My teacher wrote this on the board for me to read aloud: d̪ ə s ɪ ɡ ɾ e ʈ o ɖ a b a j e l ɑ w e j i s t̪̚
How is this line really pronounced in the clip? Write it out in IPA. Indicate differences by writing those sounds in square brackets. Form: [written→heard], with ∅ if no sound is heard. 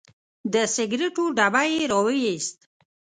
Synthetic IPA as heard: d̪ ə s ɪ ɡ ɾ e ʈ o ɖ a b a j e [l→ɾ] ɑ w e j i s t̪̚